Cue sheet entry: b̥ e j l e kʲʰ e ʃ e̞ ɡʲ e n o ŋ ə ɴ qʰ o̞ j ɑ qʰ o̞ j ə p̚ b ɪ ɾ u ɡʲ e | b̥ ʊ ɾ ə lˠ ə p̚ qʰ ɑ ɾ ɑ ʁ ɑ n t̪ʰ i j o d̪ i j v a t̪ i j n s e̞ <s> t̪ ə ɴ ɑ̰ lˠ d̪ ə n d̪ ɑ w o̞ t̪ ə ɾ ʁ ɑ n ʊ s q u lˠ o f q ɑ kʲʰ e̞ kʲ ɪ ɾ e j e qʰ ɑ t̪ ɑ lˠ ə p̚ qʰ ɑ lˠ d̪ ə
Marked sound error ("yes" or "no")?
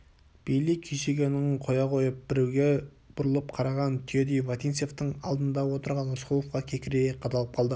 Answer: yes